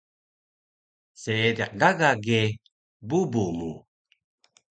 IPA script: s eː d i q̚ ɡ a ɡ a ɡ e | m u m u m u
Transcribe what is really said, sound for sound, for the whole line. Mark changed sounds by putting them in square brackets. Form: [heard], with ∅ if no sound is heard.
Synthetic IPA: s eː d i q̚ ɡ a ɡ a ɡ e | [b] u [b] u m u